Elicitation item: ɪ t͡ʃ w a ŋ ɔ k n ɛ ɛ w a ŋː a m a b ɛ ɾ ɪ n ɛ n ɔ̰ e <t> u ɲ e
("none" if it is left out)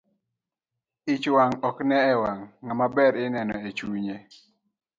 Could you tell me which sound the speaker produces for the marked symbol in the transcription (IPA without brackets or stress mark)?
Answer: t͡ʃ